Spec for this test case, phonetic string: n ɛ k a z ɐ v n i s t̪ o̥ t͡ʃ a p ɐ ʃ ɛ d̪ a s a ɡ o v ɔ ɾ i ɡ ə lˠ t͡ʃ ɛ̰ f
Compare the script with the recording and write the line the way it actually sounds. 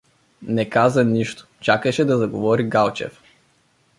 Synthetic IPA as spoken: n ɛ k a z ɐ n i ʃ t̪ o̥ t͡ʃ a k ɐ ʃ ɛ d̪ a z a ɡ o v ɔ ɾ i ɡ a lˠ t͡ʃ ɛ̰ f